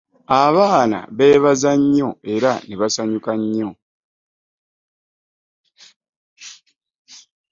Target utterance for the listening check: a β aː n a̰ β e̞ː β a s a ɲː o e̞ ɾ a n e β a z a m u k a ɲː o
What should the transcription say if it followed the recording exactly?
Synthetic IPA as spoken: a β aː n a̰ β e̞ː β a z a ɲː o e̞ ɾ a n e β a s a ɲ u k a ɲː o